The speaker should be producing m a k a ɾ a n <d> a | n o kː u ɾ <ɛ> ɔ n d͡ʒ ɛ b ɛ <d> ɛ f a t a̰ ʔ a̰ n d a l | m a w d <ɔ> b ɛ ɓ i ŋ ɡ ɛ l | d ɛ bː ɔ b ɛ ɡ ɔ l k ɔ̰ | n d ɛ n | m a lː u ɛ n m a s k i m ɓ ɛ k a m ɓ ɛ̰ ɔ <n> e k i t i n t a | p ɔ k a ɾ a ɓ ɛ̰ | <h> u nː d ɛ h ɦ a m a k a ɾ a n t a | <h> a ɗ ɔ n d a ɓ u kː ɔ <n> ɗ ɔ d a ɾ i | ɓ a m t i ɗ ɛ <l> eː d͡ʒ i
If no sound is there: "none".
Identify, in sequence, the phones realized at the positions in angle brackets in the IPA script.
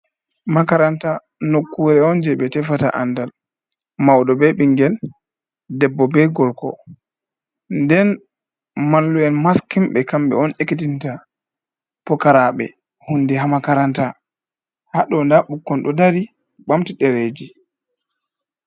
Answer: t, ɛ, t, ɔ, n, h, h, n, ɾ

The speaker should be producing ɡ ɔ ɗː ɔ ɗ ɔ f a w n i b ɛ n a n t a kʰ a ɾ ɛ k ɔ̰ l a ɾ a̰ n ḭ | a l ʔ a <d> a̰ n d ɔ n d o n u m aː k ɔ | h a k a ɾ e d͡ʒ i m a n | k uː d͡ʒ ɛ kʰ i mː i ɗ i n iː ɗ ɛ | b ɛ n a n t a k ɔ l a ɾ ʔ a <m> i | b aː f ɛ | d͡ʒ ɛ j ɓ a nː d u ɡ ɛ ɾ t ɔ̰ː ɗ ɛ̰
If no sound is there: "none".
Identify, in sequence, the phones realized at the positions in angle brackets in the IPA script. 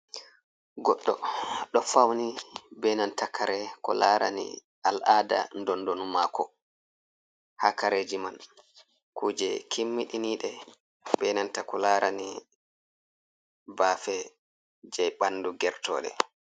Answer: d, n

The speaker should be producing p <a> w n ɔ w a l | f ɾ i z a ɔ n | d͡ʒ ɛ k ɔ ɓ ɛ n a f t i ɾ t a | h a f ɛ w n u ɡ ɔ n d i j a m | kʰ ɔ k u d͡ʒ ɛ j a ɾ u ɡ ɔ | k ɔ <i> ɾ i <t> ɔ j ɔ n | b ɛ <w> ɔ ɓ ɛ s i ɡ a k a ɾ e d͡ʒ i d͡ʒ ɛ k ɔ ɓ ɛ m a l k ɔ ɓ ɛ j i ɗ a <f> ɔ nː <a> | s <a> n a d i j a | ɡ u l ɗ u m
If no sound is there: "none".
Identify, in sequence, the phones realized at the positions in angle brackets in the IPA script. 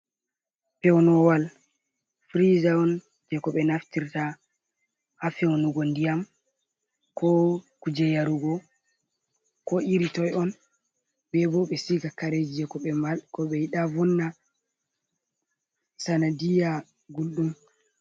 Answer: ɛ, i, t, b, v, a, a

